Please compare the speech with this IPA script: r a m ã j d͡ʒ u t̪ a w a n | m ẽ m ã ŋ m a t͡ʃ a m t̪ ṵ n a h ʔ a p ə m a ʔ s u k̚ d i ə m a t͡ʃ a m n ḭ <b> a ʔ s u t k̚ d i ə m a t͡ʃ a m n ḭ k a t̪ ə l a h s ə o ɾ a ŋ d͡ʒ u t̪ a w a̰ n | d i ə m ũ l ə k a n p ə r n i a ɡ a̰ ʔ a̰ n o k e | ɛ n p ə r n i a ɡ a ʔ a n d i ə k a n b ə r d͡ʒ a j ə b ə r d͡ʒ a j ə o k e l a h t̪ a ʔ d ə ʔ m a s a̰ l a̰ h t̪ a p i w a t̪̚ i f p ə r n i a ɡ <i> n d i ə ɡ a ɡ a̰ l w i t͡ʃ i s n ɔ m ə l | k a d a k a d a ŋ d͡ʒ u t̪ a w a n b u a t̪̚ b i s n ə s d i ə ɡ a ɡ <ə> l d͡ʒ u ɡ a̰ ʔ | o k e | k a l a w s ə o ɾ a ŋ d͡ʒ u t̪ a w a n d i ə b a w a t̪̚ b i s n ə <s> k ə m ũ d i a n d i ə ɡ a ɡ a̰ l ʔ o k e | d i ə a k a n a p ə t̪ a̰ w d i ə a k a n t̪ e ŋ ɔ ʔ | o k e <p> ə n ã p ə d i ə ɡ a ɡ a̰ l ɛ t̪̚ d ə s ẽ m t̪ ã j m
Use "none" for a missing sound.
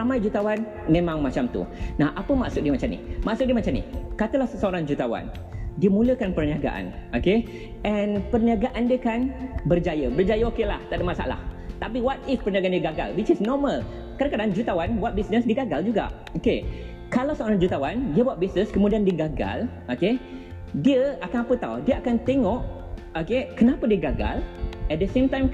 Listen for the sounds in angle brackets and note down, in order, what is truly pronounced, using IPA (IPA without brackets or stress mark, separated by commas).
m, a, a, s, k